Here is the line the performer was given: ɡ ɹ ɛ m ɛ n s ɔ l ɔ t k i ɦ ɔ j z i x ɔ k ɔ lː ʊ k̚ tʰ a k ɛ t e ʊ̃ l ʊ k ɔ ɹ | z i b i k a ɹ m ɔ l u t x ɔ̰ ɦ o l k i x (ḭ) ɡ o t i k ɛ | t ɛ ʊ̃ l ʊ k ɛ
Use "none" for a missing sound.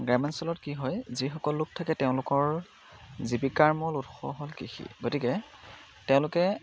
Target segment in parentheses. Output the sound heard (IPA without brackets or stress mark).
ḭ